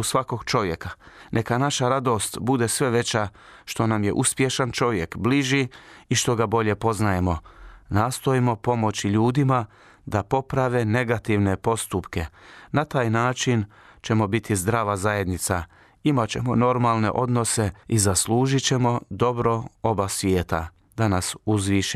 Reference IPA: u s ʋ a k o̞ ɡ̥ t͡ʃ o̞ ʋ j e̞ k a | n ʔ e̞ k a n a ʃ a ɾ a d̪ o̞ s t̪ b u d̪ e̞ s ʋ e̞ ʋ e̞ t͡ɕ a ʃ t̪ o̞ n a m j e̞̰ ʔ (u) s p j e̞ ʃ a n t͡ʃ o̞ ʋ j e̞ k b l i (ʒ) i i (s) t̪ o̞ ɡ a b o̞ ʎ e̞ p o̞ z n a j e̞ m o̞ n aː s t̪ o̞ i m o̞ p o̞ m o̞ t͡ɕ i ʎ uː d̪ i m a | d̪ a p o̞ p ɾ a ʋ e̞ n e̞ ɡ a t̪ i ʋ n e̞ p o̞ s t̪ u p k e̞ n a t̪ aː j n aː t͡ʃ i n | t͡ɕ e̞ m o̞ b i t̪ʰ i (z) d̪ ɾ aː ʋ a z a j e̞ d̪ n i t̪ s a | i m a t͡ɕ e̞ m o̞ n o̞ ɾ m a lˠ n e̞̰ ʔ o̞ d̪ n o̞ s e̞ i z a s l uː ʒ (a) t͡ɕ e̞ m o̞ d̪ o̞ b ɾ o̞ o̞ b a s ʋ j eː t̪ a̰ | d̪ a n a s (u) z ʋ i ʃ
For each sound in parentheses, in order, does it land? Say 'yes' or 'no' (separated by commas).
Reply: yes, yes, no, yes, no, yes